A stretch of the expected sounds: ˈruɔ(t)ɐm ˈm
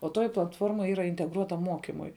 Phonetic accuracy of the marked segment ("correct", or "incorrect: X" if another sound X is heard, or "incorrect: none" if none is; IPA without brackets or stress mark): correct